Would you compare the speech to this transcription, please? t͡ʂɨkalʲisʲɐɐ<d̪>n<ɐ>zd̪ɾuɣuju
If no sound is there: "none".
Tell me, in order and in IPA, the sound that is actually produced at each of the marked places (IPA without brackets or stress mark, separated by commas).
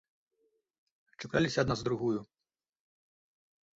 d̪, a